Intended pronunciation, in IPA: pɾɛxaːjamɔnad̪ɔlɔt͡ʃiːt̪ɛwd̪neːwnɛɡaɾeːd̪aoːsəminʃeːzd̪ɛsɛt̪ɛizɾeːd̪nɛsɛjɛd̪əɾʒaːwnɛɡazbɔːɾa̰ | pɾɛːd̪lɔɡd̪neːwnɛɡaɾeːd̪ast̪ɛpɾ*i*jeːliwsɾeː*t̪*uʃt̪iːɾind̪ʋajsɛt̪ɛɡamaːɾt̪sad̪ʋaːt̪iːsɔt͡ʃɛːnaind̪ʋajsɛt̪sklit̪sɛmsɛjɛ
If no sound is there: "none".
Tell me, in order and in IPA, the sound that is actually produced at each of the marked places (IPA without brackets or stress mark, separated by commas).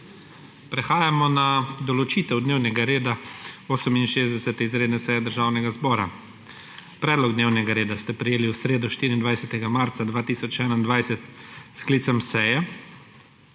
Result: ɛ, d̪